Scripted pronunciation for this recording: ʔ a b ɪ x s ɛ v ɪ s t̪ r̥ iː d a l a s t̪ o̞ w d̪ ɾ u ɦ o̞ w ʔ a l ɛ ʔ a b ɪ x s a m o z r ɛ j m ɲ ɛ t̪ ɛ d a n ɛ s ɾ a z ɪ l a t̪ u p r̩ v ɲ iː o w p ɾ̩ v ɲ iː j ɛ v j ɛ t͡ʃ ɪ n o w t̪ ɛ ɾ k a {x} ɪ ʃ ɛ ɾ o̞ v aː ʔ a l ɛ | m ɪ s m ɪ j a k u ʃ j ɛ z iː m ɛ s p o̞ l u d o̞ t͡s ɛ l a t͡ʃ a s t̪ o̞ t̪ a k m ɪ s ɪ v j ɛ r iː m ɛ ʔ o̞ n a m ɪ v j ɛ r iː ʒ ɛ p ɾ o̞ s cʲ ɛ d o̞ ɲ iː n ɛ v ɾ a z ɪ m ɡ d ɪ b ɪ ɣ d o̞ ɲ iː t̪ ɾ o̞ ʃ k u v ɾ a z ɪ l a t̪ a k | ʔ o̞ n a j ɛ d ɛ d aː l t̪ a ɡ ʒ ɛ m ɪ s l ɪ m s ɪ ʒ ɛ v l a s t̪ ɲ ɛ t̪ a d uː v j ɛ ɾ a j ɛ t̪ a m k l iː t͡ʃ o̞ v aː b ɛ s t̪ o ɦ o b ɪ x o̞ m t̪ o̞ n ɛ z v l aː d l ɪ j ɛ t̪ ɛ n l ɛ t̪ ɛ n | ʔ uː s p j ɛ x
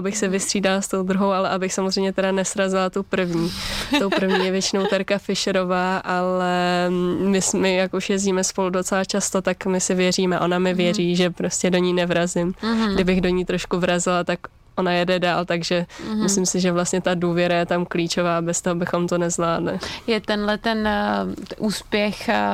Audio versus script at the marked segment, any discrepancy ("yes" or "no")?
yes